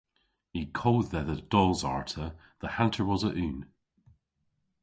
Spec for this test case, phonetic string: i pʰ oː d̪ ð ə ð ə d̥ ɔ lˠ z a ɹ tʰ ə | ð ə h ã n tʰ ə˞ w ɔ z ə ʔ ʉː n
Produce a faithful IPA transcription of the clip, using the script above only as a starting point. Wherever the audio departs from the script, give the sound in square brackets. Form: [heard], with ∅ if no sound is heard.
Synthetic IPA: i [kʰ] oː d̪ ð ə ð ə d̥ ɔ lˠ z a ɹ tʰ ə | ð ə h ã n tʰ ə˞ w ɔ z ə ʔ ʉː n